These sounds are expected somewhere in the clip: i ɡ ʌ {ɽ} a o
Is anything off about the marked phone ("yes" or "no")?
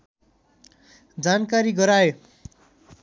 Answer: yes